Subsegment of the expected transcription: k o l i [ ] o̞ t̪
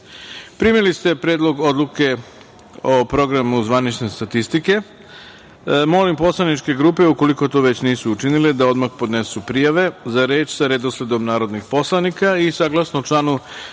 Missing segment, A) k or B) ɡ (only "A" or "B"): A